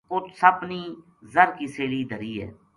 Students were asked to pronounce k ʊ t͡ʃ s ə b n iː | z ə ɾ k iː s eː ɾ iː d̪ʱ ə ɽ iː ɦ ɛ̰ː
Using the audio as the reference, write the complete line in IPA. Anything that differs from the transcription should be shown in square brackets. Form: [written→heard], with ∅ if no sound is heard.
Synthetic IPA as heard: k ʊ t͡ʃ s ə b n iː | z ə ɾ k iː s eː [ɾ→l] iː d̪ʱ ə [ɽ→ɾ] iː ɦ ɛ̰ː